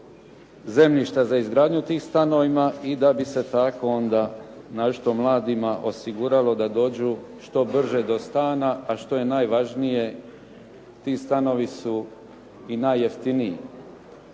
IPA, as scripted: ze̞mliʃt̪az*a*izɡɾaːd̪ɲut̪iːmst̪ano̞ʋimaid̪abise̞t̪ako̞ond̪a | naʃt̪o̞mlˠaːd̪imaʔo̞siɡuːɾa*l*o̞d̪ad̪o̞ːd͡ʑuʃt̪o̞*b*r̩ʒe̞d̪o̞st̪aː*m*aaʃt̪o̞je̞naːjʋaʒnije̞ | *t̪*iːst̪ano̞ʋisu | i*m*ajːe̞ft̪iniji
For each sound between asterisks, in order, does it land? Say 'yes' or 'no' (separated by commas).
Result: yes, yes, yes, no, yes, no